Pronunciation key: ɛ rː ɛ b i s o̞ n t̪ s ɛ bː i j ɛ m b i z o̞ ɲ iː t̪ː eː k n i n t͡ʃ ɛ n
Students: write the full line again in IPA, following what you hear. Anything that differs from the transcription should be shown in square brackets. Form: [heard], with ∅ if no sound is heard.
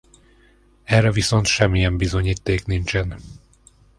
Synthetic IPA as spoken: ɛ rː ɛ [v] i s o̞ n t̪ [ʃ] ɛ [mː] i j ɛ m b i z o̞ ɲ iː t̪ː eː k n i n t͡ʃ ɛ n